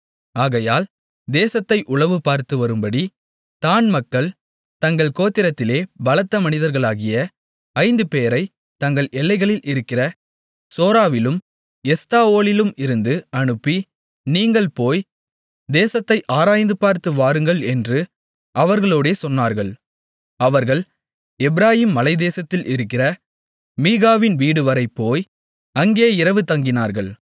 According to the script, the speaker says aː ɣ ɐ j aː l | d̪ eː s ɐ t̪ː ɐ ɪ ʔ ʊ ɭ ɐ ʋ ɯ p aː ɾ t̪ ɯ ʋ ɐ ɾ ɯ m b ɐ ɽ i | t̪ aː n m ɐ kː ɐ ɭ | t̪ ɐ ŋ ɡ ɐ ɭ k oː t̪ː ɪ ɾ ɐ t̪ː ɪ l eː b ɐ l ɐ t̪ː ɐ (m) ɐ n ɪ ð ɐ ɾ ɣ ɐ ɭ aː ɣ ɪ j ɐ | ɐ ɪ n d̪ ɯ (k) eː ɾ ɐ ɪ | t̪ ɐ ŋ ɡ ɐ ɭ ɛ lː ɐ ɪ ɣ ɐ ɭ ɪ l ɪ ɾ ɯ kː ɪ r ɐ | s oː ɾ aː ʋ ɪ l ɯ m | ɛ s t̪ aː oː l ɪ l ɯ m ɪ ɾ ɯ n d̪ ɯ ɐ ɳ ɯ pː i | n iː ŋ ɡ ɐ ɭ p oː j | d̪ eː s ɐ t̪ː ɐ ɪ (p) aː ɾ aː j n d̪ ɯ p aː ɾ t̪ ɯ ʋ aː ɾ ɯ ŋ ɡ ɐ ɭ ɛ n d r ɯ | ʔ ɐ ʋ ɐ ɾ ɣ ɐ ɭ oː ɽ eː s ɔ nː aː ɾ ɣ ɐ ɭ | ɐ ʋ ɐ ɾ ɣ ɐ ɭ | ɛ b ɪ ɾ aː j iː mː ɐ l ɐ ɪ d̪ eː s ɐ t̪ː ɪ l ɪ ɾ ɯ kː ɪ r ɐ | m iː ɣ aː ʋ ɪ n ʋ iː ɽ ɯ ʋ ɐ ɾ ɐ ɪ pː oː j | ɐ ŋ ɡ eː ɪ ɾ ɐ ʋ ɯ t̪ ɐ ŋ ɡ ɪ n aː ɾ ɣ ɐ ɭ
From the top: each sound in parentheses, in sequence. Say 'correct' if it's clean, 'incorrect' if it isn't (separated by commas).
correct, incorrect, incorrect